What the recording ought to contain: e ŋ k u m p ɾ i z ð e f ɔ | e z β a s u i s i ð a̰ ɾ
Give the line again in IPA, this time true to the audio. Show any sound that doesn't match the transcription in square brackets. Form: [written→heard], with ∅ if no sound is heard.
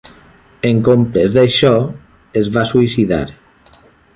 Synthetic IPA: e ŋ k [u→o] m p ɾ [i→e] z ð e [f→ʃ] ɔ | e z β a s u i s i ð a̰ ɾ